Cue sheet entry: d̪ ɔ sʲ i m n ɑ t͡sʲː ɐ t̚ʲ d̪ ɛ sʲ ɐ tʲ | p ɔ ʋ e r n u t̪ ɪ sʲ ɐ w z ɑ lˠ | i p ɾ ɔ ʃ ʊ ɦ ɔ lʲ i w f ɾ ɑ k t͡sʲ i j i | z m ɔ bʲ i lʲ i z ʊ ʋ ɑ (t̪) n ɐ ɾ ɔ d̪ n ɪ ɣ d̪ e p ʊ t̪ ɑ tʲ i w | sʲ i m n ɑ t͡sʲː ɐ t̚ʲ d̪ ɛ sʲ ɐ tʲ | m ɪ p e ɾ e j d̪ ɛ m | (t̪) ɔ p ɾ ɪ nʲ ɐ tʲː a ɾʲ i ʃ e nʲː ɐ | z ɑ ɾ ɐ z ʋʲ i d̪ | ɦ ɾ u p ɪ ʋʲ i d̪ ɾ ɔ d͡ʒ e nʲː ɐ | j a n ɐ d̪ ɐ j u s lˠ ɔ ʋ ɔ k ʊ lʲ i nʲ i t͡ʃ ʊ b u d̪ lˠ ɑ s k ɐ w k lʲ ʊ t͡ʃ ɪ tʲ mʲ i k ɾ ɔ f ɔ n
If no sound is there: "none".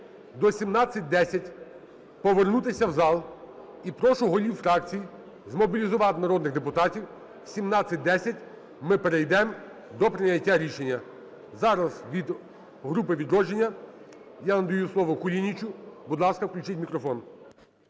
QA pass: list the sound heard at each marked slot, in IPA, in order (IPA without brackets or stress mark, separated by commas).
t̪, d̪